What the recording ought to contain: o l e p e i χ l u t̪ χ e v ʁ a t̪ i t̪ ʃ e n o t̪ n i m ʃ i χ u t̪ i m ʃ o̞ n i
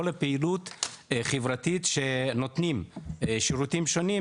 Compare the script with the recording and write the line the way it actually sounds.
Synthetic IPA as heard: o l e p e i l u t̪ χ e v ʁ a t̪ i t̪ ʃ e n o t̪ n i m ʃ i ʁ u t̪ i m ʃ o̞ n i